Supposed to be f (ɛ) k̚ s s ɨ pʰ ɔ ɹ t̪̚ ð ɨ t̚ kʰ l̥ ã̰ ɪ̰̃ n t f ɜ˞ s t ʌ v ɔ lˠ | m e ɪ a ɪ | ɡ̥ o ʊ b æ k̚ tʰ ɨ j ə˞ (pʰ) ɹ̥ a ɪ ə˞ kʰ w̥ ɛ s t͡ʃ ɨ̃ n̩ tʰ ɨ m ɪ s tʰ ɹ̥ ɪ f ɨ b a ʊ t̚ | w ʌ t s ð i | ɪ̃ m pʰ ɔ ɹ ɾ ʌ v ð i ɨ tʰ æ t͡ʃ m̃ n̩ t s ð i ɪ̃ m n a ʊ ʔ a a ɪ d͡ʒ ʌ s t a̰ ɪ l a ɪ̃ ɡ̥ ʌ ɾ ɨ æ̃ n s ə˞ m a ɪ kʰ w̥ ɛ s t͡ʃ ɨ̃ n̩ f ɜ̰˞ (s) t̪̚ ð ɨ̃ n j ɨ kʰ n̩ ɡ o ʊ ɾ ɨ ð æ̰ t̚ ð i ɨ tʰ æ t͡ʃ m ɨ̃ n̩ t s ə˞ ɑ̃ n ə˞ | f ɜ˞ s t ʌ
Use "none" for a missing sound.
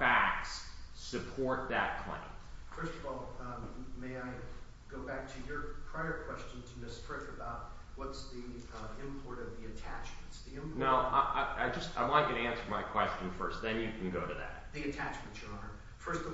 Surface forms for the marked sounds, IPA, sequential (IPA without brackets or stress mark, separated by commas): æ, pʰ, s